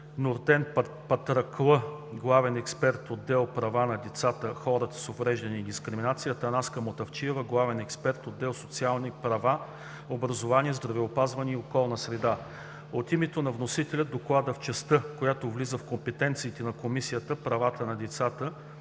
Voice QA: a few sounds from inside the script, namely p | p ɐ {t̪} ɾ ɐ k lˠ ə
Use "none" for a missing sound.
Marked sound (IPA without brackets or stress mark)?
t̪